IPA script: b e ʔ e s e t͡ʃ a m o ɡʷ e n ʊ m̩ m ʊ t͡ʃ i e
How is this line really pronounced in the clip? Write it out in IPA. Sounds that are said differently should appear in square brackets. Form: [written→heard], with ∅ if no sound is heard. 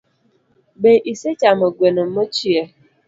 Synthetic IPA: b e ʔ [e→i] s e t͡ʃ a m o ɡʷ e n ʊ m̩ m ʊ t͡ʃ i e

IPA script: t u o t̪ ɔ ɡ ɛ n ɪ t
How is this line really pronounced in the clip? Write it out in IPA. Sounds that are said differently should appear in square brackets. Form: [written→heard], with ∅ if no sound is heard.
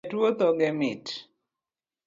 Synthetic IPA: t [u→w] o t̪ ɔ ɡ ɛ [n→m] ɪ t

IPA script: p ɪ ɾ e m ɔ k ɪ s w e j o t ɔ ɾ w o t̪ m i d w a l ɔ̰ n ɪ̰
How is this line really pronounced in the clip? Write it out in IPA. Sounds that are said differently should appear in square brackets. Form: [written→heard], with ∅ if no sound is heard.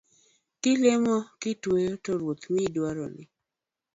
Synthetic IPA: [p→k] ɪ [ɾ→l] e m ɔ k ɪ [s→t] w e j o t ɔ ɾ w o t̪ m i d w a [l→ɾ] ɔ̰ n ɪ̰

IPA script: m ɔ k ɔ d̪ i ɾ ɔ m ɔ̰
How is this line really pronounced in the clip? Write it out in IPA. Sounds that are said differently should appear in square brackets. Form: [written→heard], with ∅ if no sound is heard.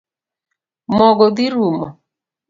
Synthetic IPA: m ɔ [k→ɡ] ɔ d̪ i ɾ [ɔ→u] m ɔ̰

